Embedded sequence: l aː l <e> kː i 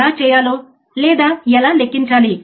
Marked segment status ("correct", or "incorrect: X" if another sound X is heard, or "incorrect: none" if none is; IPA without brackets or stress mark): correct